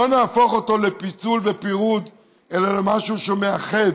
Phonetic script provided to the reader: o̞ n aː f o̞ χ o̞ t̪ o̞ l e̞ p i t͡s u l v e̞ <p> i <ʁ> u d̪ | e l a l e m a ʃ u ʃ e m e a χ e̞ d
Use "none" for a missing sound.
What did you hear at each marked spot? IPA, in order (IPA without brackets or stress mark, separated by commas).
p, ʁ